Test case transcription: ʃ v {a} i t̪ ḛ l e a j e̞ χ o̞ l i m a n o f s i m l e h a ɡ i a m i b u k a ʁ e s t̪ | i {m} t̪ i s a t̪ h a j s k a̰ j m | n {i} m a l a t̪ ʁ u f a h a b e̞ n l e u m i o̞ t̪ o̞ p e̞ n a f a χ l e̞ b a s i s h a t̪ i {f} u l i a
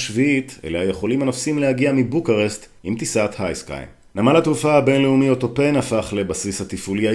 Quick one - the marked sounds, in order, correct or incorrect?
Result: incorrect: i, correct, incorrect: a, correct

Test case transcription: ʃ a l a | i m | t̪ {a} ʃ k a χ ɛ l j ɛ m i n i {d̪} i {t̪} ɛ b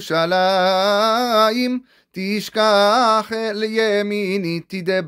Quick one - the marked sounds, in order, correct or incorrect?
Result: incorrect: i, incorrect: t̪, incorrect: d̪

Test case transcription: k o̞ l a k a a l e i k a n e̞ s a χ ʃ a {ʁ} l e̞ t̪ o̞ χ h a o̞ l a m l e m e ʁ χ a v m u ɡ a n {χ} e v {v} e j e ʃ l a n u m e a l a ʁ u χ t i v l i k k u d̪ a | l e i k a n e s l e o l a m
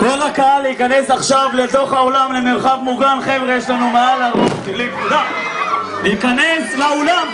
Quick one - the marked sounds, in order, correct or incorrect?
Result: incorrect: v, correct, incorrect: ʁ

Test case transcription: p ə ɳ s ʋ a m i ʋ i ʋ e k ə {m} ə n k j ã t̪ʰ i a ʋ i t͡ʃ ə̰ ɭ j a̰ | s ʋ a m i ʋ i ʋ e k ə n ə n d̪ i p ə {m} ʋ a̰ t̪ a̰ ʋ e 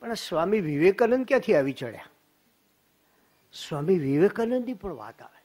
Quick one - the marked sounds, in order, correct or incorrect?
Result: incorrect: n, incorrect: ɳ

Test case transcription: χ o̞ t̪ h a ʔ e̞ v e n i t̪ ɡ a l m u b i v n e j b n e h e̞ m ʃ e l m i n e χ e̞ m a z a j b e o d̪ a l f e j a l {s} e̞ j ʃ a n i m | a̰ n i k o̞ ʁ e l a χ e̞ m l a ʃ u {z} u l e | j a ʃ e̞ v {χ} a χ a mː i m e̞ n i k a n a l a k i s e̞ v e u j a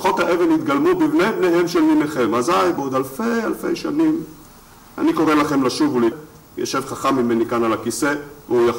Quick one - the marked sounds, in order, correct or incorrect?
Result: incorrect: f, incorrect: v, correct

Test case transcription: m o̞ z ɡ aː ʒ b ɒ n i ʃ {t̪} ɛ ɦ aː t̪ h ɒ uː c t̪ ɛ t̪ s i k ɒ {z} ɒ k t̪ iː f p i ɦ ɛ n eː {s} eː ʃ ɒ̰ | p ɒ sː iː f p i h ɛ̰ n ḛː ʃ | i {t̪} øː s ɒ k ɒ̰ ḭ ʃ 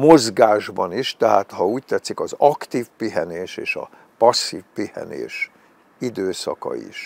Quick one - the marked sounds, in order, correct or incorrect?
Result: correct, correct, incorrect: ʃ, incorrect: d̪

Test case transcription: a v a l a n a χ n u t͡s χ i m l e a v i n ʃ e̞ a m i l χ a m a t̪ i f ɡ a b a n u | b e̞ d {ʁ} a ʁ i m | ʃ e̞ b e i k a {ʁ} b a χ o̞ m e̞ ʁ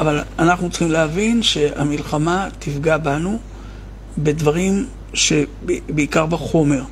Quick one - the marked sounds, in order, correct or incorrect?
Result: incorrect: v, correct

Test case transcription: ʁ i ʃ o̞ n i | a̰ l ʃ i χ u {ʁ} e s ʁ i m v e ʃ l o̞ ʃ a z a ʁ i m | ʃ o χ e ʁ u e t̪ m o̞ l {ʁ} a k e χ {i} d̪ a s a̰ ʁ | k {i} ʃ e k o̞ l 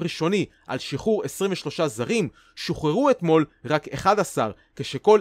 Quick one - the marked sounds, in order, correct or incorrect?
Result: correct, correct, incorrect: a, incorrect: e

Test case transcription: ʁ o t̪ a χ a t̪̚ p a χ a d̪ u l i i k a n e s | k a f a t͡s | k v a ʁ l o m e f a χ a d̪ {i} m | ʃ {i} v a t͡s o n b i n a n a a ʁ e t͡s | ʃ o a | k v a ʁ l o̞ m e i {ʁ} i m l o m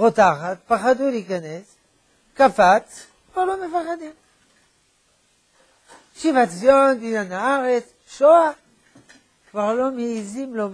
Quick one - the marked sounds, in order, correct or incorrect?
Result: correct, correct, incorrect: z

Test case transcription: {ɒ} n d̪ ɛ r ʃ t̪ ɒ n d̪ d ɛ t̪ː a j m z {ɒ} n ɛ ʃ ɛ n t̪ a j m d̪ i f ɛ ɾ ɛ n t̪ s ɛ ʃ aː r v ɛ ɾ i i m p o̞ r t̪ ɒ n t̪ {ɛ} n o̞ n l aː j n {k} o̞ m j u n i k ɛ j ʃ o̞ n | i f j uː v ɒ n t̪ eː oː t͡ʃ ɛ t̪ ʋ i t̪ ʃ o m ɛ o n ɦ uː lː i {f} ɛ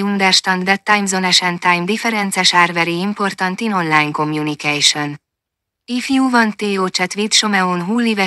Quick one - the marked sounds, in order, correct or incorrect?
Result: incorrect: u, incorrect: o, incorrect: i, correct, incorrect: v

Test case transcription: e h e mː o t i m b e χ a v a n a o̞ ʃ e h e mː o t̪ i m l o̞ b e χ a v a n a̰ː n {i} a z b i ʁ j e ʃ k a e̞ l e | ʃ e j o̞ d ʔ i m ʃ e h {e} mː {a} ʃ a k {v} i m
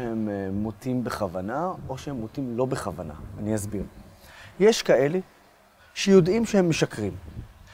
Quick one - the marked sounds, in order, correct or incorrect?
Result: correct, correct, incorrect: e, incorrect: ʁ

